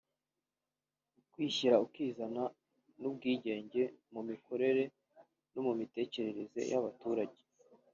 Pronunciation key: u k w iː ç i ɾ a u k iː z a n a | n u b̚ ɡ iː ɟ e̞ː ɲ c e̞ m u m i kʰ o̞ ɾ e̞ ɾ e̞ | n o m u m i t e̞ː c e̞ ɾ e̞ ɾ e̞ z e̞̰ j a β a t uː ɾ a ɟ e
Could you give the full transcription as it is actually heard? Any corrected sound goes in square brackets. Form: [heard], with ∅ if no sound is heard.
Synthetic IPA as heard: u k w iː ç i ɾ a u k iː z a n a | n u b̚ ɡ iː ɟ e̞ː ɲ [ɟ] e̞ m u m i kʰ o̞ ɾ e̞ ɾ e̞ | n o m u m i t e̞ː c e̞ ɾ e̞ ɾ e̞ z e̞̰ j a β a t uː ɾ a ɟ e